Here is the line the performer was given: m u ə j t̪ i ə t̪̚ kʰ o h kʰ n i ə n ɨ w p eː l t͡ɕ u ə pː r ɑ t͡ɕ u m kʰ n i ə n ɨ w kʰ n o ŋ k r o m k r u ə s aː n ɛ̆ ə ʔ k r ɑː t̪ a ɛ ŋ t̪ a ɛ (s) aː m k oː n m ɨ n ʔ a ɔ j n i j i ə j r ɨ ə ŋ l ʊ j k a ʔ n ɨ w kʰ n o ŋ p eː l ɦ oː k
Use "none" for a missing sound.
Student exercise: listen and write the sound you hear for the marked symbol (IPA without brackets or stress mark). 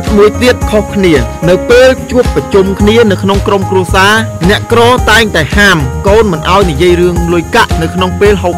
h